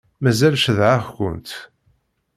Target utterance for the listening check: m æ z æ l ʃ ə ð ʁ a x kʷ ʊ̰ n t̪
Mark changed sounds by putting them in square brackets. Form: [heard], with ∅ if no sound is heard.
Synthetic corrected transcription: m æ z æ l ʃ ə ð [ʕ] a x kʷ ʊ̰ n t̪